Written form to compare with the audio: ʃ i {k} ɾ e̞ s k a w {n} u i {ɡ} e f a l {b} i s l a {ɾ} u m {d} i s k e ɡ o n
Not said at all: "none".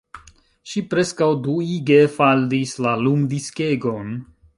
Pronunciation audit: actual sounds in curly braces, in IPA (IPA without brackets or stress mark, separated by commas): p, d, ɡ, d, l, d